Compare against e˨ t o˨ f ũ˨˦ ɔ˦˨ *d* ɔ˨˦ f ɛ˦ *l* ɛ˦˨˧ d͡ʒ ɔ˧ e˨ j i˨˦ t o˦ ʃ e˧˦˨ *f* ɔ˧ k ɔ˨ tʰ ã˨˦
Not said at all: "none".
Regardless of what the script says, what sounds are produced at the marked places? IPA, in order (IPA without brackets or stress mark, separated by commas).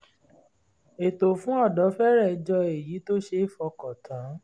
d, ɾ, f